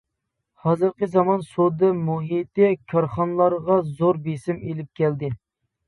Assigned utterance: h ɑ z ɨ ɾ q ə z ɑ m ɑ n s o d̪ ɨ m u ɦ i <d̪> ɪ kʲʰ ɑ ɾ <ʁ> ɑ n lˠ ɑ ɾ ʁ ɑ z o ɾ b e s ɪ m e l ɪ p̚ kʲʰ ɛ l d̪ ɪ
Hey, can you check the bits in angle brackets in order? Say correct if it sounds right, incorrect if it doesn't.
incorrect, incorrect

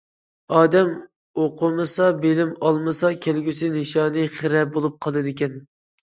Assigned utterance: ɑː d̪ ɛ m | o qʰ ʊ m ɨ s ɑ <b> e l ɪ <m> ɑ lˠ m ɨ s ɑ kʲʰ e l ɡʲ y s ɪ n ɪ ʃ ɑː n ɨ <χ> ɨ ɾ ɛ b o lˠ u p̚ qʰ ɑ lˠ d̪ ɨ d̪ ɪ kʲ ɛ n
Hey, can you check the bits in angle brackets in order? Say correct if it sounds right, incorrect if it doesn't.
correct, correct, correct

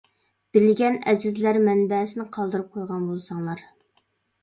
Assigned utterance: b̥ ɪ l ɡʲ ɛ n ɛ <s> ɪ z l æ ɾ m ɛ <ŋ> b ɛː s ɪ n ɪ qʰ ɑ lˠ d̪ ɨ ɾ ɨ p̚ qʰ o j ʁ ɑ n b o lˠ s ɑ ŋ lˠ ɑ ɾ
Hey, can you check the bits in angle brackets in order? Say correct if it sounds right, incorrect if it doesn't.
incorrect, incorrect

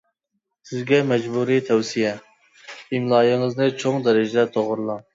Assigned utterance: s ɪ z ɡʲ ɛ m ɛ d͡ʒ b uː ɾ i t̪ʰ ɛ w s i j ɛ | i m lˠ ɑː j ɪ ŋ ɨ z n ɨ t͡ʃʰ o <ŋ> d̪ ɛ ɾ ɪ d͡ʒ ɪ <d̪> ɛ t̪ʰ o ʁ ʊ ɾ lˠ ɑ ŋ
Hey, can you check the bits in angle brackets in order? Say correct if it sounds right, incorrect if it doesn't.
correct, correct

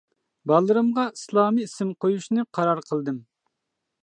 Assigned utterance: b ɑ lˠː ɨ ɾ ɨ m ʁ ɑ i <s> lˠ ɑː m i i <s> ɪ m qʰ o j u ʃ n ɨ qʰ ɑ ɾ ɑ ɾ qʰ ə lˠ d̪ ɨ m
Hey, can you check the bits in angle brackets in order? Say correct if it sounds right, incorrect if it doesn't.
correct, correct

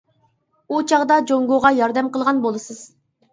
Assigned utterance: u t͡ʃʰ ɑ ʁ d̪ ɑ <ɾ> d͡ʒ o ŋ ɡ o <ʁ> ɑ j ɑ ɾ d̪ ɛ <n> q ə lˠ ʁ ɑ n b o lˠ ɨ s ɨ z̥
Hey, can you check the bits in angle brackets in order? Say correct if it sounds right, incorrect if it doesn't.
incorrect, correct, incorrect

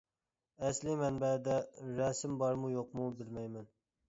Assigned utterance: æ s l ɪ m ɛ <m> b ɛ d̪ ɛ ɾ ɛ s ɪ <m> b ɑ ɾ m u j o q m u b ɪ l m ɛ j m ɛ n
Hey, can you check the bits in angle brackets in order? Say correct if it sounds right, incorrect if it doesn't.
incorrect, correct

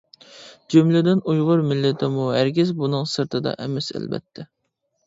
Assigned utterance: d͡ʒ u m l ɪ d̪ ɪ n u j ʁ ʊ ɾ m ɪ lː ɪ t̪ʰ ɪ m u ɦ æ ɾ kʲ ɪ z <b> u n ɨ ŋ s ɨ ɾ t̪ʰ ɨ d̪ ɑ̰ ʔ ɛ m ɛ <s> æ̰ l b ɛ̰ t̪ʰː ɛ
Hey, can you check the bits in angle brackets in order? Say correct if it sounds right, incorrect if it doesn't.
correct, correct

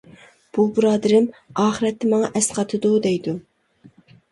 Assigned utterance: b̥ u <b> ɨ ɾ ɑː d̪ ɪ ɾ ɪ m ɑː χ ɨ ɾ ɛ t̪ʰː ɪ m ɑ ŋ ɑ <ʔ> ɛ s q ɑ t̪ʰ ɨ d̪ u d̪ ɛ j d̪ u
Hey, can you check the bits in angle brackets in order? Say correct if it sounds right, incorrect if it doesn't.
correct, correct

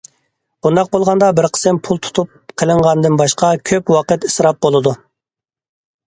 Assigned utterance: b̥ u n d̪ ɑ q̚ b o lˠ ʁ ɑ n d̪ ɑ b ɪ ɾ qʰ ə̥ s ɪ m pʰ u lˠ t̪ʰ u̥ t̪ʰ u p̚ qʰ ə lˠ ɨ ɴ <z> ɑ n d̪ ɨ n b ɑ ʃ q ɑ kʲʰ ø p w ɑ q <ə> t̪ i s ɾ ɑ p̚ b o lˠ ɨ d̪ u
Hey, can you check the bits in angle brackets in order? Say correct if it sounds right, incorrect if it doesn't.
incorrect, correct

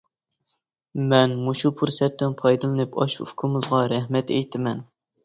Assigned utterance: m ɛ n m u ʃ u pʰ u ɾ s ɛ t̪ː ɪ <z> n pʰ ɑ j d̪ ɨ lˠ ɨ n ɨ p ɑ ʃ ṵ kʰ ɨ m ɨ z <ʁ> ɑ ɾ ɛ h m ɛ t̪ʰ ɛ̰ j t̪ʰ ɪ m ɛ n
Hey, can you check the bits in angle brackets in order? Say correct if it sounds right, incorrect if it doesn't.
incorrect, correct

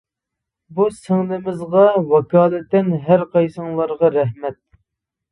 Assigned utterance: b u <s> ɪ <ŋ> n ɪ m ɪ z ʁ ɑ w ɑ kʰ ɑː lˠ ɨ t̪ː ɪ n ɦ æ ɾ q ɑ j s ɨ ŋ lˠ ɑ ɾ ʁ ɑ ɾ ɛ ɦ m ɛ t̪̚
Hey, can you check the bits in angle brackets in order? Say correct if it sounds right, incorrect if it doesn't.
correct, correct

